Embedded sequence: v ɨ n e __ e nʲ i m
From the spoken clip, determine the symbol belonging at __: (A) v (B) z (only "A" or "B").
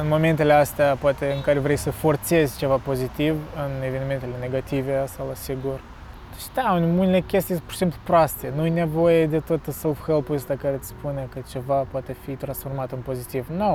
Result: A